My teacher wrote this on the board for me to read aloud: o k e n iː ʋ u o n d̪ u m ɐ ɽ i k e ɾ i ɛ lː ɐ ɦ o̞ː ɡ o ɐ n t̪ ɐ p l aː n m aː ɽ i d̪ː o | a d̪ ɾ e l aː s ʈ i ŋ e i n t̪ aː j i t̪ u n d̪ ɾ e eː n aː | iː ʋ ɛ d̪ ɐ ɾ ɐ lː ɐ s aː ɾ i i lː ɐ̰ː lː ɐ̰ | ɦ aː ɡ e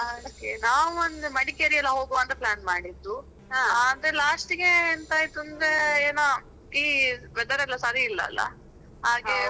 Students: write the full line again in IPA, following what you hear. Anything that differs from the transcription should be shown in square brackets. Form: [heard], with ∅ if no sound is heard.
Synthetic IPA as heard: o k e n [aː] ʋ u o n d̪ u m ɐ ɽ i k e ɾ i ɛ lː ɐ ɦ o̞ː ɡ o ɐ n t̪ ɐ p l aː n m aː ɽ i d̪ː [u] | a d̪ ɾ e l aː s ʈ i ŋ e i n t̪ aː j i t̪ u n d̪ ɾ e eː n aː | iː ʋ ɛ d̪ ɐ ɾ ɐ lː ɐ s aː ɾ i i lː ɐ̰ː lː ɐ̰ | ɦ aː ɡ e